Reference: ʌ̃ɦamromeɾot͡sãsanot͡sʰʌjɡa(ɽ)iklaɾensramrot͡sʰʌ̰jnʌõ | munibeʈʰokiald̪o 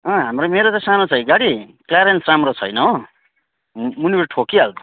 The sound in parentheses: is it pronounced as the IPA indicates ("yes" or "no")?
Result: yes